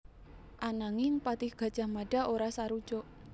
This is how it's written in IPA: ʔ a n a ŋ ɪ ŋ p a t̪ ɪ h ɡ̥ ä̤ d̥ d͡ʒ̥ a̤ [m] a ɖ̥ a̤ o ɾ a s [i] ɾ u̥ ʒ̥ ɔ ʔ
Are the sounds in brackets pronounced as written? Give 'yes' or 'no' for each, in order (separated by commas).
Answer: yes, no